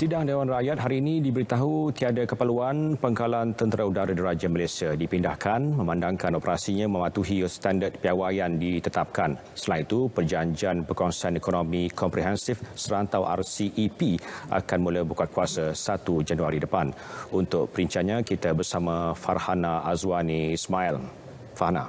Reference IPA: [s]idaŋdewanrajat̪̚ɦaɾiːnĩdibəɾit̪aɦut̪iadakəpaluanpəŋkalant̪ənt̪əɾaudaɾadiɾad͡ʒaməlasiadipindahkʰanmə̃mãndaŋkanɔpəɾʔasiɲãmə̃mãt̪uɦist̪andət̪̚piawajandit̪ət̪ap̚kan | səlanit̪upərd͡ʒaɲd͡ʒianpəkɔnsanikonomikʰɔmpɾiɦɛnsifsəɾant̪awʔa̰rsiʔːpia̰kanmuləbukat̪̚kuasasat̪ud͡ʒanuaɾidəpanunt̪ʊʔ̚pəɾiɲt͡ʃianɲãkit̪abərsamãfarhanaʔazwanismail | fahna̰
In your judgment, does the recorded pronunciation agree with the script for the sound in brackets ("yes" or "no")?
yes